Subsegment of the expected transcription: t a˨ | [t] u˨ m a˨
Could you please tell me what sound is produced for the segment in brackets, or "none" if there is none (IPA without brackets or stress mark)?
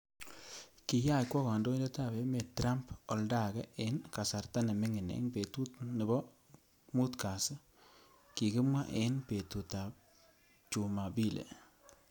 t͡ʃ